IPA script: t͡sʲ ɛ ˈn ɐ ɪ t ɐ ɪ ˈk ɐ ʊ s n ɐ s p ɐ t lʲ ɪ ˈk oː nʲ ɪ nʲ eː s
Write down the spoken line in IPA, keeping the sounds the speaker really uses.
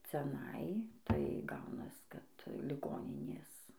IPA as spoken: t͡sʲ ɛ ˈn ɐ ɪ t ɐ ɪ ˈɡ ɐ ʊ n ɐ s k ɐ t lʲ ɪ ˈɡ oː nʲ ɪ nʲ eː s